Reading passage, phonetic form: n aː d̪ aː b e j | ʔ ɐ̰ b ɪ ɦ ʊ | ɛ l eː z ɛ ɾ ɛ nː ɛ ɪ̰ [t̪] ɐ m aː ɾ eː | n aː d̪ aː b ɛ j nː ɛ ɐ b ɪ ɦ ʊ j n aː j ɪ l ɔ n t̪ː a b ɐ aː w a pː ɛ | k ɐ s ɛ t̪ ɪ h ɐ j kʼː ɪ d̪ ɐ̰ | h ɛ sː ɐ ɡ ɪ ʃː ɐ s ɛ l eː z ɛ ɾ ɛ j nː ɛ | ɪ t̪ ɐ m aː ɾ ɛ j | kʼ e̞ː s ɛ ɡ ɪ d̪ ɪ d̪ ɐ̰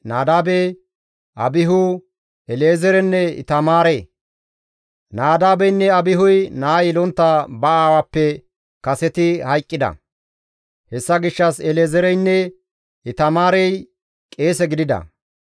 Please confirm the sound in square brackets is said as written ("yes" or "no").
yes